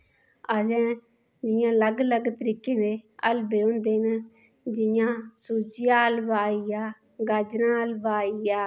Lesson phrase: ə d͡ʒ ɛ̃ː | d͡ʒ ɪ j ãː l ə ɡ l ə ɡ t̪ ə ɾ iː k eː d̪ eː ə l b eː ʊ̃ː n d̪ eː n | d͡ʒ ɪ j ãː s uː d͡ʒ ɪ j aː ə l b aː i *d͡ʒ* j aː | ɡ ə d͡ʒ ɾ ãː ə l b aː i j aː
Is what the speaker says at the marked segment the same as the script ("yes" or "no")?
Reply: no